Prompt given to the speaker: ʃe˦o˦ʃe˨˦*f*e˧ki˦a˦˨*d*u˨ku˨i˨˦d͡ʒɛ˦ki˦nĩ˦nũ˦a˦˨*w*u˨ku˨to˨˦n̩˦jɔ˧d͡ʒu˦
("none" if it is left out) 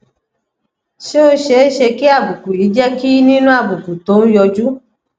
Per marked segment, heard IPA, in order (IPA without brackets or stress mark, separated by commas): ʃ, b, b